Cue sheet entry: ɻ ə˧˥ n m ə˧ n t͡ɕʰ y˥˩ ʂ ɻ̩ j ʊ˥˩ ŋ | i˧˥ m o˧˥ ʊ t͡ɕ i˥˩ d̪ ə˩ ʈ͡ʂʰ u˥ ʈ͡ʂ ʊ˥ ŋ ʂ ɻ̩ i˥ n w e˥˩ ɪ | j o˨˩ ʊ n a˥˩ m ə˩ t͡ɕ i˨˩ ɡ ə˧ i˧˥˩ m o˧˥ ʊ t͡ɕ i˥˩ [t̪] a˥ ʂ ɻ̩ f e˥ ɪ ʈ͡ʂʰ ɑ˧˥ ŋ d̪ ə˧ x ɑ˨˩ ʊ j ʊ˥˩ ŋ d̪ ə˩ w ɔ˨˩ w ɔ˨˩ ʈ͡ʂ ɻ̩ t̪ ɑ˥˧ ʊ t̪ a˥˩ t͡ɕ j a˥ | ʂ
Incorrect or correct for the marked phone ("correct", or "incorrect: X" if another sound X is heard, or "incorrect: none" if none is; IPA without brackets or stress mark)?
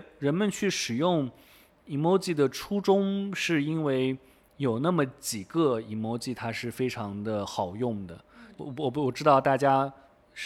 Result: incorrect: t̪ʰ